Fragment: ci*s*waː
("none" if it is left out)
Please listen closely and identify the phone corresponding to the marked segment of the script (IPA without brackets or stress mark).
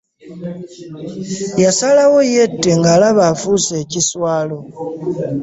s